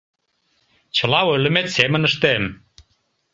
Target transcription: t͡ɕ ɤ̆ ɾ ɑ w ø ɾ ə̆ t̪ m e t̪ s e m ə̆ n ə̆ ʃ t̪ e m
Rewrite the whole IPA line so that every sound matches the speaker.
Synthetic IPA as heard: t͡ɕ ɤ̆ l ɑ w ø l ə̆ m e t̪ s e m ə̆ n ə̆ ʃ t̪ e m